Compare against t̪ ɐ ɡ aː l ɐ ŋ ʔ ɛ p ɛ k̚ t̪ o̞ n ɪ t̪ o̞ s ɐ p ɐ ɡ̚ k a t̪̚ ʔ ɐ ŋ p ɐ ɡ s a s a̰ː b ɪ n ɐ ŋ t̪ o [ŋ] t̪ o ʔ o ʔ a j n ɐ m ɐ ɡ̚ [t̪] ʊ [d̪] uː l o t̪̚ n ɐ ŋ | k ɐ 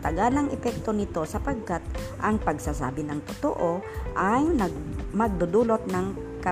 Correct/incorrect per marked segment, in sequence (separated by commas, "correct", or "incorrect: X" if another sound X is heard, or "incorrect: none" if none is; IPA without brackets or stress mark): incorrect: none, incorrect: d̪, correct